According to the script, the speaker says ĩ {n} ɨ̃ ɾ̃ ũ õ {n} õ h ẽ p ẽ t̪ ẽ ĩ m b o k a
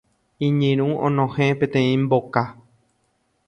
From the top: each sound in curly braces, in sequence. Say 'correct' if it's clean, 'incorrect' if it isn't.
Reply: incorrect, correct

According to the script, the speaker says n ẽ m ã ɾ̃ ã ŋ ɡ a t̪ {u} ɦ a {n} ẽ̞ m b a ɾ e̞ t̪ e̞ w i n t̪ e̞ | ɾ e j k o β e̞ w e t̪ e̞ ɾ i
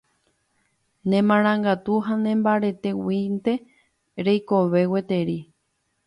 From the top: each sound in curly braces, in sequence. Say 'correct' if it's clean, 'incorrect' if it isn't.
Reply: correct, correct

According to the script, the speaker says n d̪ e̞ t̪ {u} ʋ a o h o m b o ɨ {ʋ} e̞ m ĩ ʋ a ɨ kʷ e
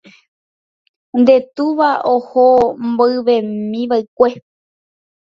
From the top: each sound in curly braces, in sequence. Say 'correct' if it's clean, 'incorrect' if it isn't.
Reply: correct, correct

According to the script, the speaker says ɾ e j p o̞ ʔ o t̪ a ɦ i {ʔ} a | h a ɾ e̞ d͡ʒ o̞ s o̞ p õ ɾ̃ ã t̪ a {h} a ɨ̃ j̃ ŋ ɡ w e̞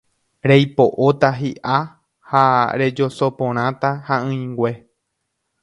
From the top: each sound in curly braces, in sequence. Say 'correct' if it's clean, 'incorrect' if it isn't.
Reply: correct, correct

